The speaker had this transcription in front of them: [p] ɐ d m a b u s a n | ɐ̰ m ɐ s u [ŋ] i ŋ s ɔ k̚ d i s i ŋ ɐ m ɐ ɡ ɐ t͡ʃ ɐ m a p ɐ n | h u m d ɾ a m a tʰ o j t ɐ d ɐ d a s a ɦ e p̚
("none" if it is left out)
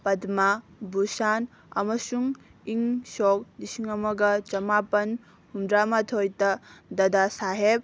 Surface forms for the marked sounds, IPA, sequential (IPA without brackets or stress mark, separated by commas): p, ŋ